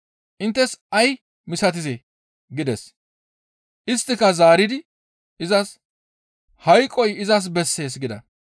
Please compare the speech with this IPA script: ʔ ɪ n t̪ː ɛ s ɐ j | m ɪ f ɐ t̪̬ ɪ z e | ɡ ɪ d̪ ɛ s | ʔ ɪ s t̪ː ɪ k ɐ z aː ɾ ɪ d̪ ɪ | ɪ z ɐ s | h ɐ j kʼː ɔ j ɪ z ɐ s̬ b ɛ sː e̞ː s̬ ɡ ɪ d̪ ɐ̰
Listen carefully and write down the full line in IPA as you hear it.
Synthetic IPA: ʔ ɪ n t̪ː ɛ s ɐ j | m ɪ s ɐ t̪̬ ɪ z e | ɡ ɪ d̪ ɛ s | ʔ ɪ s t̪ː ɪ k ɐ z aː ɾ ɪ d̪ ɪ | ɪ z ɐ s | h ɐ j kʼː ɔ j ɪ z ɐ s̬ b ɛ sː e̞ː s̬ ɡ ɪ d̪ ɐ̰